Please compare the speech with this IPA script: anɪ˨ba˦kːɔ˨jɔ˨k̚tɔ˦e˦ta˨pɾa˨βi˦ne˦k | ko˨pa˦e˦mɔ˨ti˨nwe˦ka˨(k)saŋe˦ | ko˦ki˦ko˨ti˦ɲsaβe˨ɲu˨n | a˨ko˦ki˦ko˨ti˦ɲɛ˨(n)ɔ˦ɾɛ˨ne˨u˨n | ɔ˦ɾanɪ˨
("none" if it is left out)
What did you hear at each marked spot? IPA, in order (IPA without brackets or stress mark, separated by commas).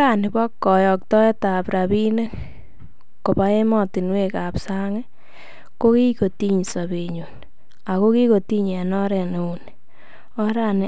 p, n